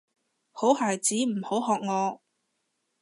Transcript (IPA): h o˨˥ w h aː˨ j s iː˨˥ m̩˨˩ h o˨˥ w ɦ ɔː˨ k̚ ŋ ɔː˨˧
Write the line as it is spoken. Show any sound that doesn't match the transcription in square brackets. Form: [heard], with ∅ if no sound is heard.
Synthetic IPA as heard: h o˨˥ w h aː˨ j [t͡s] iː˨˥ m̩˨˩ h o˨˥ w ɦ ɔː˨ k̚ ŋ ɔː˨˧